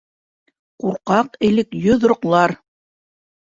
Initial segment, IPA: q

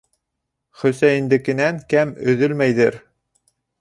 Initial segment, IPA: χ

